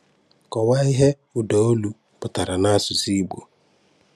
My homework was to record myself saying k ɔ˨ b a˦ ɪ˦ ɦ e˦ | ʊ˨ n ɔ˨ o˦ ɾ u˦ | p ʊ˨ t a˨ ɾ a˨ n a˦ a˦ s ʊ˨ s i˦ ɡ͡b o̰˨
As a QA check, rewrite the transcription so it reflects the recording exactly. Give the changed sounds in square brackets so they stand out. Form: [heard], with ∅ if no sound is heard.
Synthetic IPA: k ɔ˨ [w] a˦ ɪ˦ ɦ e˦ | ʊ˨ [d] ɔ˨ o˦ [l] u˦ | p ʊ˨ t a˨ ɾ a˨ n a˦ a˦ s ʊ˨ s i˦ ɡ͡b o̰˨